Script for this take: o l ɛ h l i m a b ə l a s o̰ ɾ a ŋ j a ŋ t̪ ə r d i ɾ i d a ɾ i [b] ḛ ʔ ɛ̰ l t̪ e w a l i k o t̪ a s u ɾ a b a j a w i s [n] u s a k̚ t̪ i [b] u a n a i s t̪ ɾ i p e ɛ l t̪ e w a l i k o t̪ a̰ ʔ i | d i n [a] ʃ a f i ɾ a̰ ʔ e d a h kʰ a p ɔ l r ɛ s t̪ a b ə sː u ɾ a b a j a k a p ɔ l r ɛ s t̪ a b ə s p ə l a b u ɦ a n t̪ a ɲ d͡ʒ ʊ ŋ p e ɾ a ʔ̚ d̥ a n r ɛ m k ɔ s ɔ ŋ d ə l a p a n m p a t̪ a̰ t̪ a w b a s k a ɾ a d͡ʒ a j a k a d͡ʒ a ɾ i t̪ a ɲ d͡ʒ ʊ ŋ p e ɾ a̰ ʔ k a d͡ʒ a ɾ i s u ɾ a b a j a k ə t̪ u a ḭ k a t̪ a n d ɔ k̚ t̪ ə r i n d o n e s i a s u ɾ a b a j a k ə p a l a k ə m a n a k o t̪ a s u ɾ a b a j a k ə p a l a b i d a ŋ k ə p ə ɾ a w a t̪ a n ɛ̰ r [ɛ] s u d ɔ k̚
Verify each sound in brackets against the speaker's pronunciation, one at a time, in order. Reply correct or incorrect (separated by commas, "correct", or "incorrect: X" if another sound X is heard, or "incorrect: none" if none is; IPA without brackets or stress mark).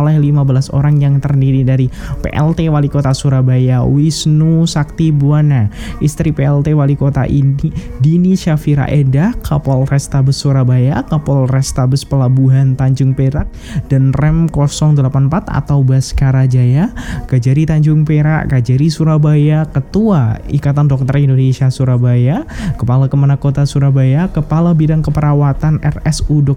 incorrect: p, correct, correct, incorrect: i, correct